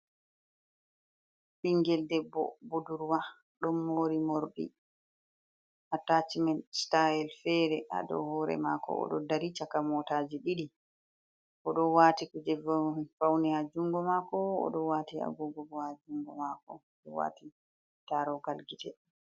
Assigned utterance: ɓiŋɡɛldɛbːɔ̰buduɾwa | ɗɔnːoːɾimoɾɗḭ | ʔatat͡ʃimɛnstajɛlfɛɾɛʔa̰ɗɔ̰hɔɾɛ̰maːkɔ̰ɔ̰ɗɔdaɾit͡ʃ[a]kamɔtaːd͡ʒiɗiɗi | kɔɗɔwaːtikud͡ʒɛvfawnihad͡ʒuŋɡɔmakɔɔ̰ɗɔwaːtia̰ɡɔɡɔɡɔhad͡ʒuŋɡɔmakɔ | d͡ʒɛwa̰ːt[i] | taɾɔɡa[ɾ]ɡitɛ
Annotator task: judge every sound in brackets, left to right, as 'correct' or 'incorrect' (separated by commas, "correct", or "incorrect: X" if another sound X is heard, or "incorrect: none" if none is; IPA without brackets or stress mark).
correct, correct, incorrect: l